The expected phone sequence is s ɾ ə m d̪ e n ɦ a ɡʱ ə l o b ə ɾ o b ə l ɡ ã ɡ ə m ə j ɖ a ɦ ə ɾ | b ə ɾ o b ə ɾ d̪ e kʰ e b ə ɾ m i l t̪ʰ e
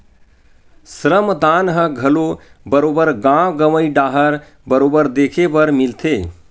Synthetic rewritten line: s ɾ ə m d̪ a n ɦ ə ɡʱ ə l o b ə ɾ o b ə ɾ ɡ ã ɡ ə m ə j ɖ a ɦ ə ɾ | b ə ɾ o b ə ɾ d̪ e kʰ e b ə ɾ m i l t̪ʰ e

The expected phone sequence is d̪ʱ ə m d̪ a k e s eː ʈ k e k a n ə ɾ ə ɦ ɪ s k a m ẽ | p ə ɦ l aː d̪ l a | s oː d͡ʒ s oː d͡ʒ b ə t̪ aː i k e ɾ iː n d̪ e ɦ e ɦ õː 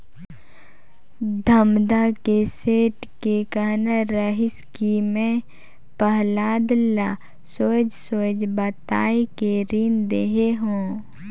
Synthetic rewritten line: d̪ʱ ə m d̪ a k e s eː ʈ k e k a n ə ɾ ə ɦ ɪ s k i m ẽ | p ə ɦ l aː d̪ l a | s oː d͡ʒ s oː d͡ʒ b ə t̪ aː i k e ɾ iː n d̪ e ɦ e ɦ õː

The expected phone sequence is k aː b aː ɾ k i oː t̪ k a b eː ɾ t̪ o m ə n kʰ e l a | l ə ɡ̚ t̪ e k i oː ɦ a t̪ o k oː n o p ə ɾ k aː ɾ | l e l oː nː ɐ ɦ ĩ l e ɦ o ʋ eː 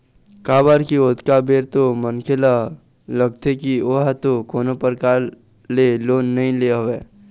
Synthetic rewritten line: k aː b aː ɾ k i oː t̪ k a b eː ɾ t̪ o m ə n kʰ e l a | l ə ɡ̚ t̪ e k i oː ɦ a t̪ o k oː n o p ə ɾ k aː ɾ | l e l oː nː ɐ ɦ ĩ l e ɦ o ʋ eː

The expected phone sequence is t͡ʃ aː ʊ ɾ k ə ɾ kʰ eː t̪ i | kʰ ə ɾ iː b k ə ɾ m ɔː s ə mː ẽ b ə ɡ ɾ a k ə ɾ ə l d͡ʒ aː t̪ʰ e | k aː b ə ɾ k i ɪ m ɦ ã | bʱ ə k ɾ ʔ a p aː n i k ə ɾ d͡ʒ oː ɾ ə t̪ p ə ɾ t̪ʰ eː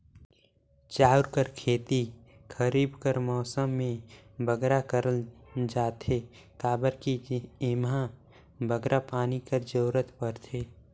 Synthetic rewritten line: t͡ʃ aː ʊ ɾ k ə ɾ kʰ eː t̪ i | kʰ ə ɾ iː b k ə ɾ m ɔː s ə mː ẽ b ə ɡ ɾ a k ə ɾ ə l d͡ʒ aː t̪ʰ e | k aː b ə ɾ k i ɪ m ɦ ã | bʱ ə ɡ ɾ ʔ a p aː n i k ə ɾ d͡ʒ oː ɾ ə t̪ p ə ɾ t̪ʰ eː

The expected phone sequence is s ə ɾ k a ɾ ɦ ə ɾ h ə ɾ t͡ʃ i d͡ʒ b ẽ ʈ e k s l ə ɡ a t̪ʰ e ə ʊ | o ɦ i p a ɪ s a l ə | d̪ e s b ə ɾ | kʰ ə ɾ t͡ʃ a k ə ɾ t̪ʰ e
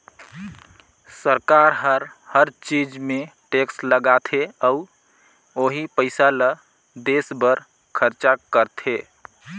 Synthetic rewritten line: s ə ɾ k a ɾ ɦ ə ɾ h ə ɾ t͡ʃ i d͡ʒ m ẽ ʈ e k s l ə ɡ a t̪ʰ e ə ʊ | o ɦ i p ə ɪ s a l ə | d̪ e s b ə ɾ | kʰ ə ɾ t͡ʃ a k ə ɾ t̪ʰ e

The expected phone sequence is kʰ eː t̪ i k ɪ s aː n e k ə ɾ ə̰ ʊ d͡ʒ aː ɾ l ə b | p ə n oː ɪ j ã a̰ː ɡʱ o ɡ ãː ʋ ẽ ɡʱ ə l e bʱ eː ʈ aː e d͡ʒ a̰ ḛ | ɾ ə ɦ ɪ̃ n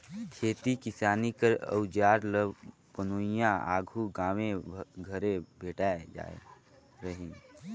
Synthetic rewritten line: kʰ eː t̪ i k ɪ s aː n i k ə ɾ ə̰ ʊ d͡ʒ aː ɾ l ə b | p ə n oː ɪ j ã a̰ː ɡʱ u ɡ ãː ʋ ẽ ɡʱ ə ɾ e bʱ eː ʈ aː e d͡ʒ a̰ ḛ | ɾ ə ɦ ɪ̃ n

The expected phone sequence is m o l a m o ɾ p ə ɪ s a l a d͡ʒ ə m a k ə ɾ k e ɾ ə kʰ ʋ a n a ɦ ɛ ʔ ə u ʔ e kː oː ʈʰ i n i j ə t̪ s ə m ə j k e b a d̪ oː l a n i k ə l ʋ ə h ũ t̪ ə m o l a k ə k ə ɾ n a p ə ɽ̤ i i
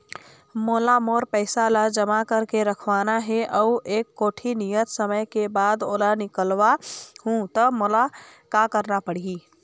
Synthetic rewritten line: m o l a m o ɾ p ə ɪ s a l a d͡ʒ ə m a k ə ɾ k e ɾ ə kʰ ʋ a n a ɦ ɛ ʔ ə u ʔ e kː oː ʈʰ i n i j ə t̪ s ə m ə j k e b a d̪ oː l a n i k ə l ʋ a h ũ t̪ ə m o l a k a k ə ɾ n a p ə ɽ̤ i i

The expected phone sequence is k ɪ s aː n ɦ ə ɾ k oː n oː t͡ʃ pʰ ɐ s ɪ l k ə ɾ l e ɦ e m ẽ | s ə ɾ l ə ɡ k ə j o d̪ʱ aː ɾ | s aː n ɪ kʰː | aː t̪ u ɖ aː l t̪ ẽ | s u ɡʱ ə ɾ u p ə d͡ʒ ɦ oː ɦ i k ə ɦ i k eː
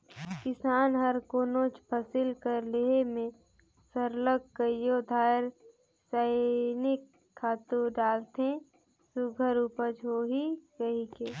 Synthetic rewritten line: k ɪ s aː n ɦ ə ɾ k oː n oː t͡ʃ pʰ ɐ s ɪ l k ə ɾ l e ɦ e m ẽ | s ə ɾ l ə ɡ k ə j o d̪ʱ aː ɾ | s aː n ɪ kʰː | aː t̪ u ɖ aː l t̪ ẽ | s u ɡʱ ə ɾ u p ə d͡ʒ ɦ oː ɦ i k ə ɦ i k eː

